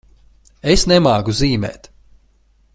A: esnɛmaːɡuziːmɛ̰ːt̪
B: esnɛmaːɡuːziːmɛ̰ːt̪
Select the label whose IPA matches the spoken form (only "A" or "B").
A